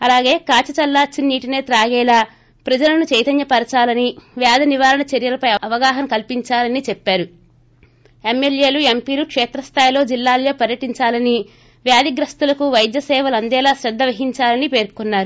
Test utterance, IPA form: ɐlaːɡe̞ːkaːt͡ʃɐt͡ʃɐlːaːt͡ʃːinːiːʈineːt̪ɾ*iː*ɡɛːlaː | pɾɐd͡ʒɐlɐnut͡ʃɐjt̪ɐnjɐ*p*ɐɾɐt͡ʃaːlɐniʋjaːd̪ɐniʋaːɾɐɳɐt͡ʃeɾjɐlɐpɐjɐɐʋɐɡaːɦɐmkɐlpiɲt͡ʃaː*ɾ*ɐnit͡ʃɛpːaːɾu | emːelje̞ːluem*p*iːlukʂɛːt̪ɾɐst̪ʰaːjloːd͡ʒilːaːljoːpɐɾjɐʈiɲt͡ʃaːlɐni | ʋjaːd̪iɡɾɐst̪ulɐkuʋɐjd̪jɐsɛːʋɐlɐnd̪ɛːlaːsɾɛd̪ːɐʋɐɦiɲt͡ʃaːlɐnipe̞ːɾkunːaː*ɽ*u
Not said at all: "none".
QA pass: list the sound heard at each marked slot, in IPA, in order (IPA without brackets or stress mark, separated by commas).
aː, p, l, p, ɾ